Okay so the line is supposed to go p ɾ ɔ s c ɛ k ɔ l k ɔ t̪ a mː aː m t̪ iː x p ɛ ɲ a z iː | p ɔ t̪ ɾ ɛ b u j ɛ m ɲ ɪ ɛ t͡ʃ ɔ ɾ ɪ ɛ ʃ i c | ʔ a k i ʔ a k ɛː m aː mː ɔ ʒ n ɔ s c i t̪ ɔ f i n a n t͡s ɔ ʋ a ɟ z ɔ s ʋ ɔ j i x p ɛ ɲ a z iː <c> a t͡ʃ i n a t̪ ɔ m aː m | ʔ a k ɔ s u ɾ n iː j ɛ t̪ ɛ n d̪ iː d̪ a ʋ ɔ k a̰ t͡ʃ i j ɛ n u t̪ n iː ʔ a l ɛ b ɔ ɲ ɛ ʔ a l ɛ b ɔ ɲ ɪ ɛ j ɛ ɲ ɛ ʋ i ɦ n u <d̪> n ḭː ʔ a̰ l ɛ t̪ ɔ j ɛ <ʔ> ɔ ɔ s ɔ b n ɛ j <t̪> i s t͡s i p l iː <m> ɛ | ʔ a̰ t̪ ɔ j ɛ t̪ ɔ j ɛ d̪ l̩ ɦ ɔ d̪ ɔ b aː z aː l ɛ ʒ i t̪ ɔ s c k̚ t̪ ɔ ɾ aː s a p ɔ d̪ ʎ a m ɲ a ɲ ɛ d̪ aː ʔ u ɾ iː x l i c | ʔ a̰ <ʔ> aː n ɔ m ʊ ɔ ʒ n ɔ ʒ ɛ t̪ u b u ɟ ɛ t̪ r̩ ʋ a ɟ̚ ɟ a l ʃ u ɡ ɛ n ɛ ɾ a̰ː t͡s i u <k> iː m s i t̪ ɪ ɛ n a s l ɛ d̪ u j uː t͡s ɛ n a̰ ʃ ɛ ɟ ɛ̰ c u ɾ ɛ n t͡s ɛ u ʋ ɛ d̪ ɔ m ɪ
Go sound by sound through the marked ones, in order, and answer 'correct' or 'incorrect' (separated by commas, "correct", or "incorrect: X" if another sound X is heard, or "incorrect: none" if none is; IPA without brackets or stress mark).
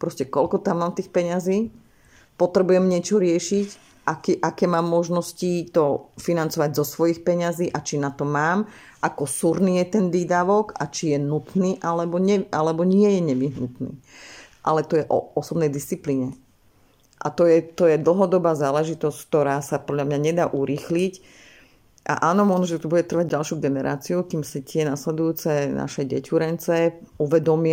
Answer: incorrect: ʔ, incorrect: t̪, correct, incorrect: d̪, incorrect: ɲ, correct, correct